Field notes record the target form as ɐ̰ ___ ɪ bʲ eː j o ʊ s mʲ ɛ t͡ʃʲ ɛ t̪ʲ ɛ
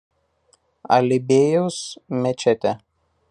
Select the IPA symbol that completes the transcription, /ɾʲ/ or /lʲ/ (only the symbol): lʲ